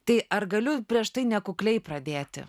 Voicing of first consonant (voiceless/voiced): voiceless